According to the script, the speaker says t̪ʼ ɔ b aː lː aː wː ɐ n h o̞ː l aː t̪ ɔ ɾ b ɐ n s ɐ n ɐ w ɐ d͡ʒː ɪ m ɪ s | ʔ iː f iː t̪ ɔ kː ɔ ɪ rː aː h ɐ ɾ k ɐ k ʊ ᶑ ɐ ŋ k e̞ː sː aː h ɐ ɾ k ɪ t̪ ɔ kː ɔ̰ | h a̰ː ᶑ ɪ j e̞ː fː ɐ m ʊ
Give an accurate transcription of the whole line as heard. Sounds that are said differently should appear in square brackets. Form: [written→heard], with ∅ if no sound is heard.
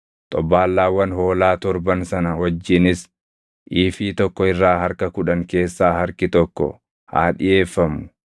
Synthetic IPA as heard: t̪ʼ ɔ b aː lː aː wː ɐ n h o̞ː l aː t̪ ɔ ɾ b ɐ n s ɐ n ɐ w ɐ d͡ʒː ɪ [m→n] ɪ s | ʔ iː f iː t̪ ɔ kː ɔ ɪ rː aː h ɐ ɾ k ɐ k ʊ ᶑ ɐ ŋ k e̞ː sː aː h ɐ ɾ k ɪ t̪ ɔ kː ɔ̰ | h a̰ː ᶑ ɪ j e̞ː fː ɐ m ʊ